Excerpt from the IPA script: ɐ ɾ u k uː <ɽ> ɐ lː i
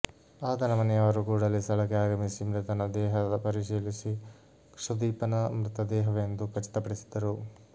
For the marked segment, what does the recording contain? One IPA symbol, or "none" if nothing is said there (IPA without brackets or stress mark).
ɽ